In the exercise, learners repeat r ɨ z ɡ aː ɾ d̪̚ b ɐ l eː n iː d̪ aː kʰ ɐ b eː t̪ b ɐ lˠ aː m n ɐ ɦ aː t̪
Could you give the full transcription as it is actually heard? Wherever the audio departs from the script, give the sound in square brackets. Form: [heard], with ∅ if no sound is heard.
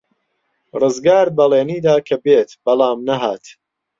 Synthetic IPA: r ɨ z ɡ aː ɾ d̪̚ b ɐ l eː n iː d̪ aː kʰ ɐ b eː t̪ b ɐ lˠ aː m n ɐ ɦ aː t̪

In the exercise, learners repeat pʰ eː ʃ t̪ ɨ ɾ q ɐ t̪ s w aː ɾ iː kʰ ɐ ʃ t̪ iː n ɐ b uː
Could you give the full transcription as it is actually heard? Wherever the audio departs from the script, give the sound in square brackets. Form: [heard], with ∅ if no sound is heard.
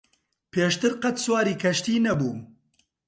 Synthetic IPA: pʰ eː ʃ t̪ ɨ ɾ q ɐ t̪ s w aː ɾ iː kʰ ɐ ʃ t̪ iː n ɐ b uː

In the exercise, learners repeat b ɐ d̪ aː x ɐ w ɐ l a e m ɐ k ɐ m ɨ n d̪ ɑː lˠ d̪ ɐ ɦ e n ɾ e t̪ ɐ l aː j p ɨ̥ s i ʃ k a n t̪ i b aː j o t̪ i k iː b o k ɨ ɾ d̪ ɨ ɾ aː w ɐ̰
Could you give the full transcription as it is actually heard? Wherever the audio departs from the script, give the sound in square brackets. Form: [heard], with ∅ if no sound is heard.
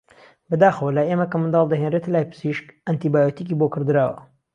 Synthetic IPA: b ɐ d̪ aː x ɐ w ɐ l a e m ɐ k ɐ m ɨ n d̪ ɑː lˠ d̪ ɐ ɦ e n [r] e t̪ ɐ l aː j p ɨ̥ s i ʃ k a n t̪ i b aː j o t̪ i k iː b o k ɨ ɾ d̪ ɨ ɾ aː w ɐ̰

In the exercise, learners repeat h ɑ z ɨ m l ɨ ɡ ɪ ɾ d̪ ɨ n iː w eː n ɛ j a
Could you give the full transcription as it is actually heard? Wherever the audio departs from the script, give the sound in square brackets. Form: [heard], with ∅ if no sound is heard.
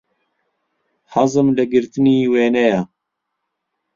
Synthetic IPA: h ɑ z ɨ m l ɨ ɡ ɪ ɾ [t̪] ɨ n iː w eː n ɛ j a

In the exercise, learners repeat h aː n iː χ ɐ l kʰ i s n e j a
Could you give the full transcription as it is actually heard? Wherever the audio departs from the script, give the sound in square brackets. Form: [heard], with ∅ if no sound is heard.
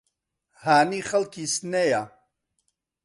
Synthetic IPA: h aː n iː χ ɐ l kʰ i s n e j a

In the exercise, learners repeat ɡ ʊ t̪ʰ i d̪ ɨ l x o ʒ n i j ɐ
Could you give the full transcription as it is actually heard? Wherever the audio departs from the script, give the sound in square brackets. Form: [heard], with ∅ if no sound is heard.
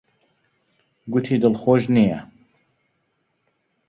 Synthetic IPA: ɡ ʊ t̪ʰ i d̪ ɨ l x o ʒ n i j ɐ

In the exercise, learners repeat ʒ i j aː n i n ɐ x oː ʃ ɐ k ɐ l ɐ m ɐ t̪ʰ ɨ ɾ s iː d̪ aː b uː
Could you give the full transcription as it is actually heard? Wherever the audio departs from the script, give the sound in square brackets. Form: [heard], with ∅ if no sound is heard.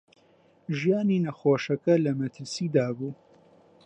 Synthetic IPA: ʒ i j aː n i n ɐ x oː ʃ ɐ k ɐ l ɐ m ɐ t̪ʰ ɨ ɾ s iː d̪ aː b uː

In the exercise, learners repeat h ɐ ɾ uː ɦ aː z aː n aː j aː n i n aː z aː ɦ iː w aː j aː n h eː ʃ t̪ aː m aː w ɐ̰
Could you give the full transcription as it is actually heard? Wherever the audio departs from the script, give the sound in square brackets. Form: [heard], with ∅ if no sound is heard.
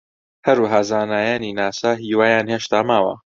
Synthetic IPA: h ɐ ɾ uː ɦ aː z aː n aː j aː n i n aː [s] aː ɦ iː w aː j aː n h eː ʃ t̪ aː m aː w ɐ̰

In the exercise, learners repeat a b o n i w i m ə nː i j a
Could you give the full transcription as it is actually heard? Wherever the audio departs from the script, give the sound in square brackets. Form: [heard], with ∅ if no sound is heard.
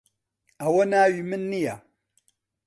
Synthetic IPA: a [w] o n [a] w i m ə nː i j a

